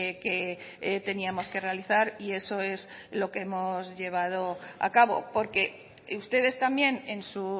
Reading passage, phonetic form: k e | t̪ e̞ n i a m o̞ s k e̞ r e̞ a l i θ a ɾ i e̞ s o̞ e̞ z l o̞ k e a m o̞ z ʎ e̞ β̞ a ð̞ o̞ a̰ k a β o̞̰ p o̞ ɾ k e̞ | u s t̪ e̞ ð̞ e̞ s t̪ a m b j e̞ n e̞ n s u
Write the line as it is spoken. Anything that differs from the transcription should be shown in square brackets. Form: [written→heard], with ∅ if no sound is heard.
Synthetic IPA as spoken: k e | t̪ e̞ n i a m o̞ s k e̞ r e̞ a l i θ a ɾ i e̞ s o̞ e̞ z l o̞ k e [a→e] m o̞ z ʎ e̞ β̞ a ð̞ o̞ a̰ k a β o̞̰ p o̞ ɾ k e̞ | u s t̪ e̞ ð̞ e̞ s t̪ a m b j e̞ n e̞ n s u